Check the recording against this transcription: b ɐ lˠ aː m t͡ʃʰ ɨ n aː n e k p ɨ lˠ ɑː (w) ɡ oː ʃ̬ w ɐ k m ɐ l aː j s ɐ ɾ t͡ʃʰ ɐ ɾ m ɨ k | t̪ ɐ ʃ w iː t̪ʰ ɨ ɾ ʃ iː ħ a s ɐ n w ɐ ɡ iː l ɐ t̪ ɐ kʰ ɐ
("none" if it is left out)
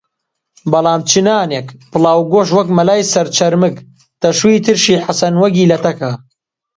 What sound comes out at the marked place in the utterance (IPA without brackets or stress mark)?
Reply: w